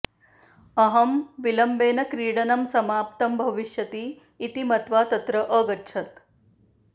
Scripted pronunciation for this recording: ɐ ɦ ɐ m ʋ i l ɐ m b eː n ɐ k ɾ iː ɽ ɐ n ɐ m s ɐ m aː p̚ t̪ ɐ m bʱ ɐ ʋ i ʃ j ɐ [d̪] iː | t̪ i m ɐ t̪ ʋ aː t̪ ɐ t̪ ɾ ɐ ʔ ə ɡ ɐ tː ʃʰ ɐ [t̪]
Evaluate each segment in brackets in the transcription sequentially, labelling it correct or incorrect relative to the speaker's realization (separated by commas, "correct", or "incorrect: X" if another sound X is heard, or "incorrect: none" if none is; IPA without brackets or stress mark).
incorrect: t̪, correct